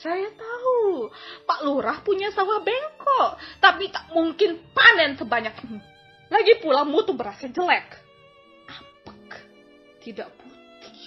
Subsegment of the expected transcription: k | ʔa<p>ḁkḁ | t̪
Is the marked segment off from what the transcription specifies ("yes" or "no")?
no